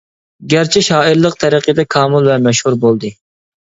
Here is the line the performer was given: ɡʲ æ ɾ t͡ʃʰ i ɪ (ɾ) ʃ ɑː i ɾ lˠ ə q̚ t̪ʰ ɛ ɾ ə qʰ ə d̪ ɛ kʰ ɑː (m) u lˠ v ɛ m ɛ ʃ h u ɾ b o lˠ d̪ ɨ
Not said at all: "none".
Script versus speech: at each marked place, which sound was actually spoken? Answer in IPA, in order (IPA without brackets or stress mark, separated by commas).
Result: none, m